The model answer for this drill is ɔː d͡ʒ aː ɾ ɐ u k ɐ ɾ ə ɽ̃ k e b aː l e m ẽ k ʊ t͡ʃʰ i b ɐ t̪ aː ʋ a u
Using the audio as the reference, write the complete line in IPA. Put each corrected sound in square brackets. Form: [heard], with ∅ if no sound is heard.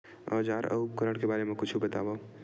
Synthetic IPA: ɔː d͡ʒ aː ɾ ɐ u k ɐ ɾ ə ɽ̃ k e b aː [ɾ] e m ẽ k ʊ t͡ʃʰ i b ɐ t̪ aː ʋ a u